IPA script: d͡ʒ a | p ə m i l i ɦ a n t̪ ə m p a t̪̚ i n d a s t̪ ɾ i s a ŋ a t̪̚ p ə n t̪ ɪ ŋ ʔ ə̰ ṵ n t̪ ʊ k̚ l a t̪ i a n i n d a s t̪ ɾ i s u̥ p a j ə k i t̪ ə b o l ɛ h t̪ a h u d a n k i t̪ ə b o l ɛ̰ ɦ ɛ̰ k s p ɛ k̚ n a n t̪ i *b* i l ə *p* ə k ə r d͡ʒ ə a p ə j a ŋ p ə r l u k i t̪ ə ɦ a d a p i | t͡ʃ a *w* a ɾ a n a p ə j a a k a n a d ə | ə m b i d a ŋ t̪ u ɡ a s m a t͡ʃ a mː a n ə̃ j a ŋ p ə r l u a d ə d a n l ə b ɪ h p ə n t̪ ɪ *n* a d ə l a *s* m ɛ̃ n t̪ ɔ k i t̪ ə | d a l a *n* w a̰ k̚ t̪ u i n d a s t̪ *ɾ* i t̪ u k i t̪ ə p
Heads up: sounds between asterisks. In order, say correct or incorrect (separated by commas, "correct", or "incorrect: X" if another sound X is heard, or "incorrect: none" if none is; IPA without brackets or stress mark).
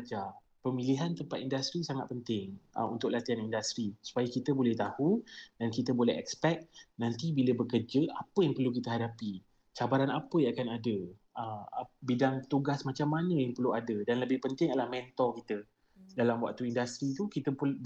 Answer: correct, incorrect: b, incorrect: b, incorrect: ŋ, incorrect: h, incorrect: m, correct